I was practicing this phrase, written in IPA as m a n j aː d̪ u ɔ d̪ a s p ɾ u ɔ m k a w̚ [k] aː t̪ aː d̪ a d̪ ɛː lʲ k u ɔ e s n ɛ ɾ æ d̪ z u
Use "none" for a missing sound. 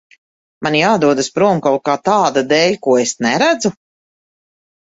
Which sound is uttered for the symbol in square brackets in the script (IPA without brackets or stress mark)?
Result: k